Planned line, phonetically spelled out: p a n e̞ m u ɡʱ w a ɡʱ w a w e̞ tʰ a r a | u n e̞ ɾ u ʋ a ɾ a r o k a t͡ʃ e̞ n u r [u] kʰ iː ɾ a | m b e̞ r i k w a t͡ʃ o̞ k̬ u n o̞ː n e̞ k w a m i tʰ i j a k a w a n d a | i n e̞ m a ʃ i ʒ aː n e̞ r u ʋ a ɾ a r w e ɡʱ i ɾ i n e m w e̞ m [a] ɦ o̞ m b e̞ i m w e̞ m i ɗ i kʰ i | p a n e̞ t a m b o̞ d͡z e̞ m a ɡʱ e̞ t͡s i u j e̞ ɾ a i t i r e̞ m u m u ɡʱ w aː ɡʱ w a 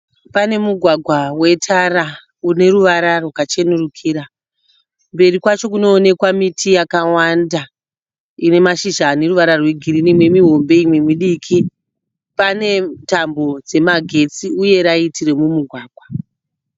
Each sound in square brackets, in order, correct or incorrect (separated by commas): correct, incorrect